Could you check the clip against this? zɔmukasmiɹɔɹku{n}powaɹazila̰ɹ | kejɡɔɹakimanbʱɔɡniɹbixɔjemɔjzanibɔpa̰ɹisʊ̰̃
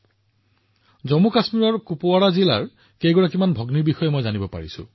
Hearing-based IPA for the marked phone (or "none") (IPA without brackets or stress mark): none